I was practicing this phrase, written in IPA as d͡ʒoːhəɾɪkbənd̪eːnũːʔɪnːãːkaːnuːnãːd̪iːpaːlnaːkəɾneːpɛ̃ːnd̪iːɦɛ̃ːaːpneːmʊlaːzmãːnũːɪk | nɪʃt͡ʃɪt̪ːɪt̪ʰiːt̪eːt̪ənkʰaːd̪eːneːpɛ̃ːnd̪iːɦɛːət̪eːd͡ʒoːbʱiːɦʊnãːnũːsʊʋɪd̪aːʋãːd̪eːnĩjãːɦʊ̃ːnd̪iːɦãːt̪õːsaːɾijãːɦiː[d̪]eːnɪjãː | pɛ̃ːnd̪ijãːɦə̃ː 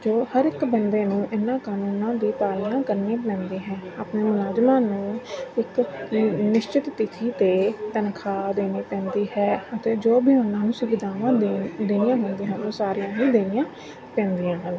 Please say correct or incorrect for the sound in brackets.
correct